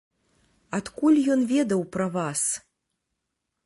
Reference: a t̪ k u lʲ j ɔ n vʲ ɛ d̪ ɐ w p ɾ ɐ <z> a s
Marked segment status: incorrect: v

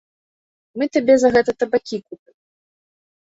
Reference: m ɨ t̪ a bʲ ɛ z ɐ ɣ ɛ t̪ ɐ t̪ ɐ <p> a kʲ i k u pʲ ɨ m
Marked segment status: incorrect: b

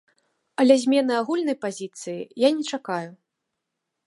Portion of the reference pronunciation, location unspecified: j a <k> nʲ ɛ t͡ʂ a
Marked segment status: incorrect: none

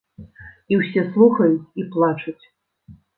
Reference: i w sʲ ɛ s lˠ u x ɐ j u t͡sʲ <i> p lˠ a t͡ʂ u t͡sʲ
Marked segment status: correct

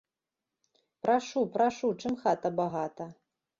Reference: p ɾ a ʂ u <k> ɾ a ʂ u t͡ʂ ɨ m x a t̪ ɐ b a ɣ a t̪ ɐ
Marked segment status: incorrect: p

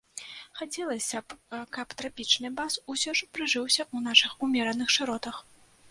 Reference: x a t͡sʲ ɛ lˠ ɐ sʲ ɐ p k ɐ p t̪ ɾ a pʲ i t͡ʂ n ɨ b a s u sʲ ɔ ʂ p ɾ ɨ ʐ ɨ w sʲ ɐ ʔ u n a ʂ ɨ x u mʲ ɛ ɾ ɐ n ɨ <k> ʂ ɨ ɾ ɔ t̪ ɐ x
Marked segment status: incorrect: x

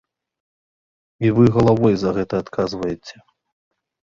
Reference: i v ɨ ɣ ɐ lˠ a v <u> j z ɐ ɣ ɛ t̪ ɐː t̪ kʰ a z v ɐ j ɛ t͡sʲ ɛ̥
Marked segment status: incorrect: ɔ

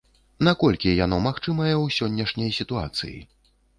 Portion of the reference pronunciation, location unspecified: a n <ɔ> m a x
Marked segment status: correct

